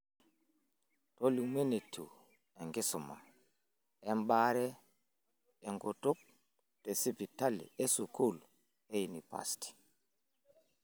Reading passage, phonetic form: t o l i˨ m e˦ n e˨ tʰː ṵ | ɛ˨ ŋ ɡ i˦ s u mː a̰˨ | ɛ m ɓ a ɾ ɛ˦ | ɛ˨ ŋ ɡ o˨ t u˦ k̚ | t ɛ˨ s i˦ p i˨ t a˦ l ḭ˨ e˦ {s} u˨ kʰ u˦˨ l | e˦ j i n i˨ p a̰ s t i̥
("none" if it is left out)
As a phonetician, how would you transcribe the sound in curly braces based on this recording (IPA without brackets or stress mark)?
s